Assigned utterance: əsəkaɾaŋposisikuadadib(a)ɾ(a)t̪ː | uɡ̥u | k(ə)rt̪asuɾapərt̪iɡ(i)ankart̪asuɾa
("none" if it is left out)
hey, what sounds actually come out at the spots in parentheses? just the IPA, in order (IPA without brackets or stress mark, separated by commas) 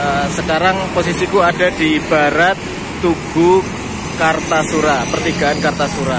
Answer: a, a, a, a